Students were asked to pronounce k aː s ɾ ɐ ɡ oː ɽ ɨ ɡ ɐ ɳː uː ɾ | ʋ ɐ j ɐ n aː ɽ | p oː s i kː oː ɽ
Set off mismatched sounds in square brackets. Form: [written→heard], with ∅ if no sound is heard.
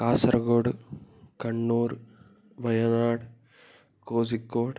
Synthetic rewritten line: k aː s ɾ ɐ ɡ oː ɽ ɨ [ɡ→k] ɐ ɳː uː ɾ | ʋ ɐ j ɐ n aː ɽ | [p→k] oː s i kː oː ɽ

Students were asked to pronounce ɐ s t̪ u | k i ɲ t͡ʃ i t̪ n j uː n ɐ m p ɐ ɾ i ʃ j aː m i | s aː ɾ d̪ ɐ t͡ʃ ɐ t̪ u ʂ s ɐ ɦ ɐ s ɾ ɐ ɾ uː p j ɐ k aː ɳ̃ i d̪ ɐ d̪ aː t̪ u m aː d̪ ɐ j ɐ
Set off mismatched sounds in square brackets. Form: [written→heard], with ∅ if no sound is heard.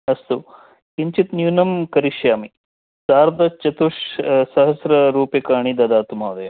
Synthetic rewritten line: ɐ s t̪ u | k i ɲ t͡ʃ i t̪ n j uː n ɐ m [p→k] ɐ ɾ i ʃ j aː m i | s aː ɾ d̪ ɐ t͡ʃ ɐ t̪ u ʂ s ɐ ɦ ɐ s ɾ ɐ ɾ uː p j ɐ k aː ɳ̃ i d̪ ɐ d̪ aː t̪ u m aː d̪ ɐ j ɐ

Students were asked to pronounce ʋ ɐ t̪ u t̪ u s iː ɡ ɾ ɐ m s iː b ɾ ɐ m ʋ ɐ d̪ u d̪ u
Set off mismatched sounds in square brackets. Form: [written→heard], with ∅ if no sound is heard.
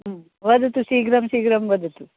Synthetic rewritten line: ʋ ɐ [t̪→d̪] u t̪ u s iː ɡ ɾ ɐ m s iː [b→ɡ] ɾ ɐ m ʋ ɐ d̪ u [d̪→t̪] u

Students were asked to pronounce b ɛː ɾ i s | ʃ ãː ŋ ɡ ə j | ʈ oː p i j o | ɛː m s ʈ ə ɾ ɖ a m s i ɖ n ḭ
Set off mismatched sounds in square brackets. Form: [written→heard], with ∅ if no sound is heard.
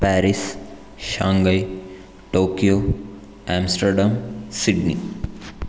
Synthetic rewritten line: [b→p] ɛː ɾ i s | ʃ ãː ŋ ɡ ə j | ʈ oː [p→k] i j o | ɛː m s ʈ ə ɾ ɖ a m s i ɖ n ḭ

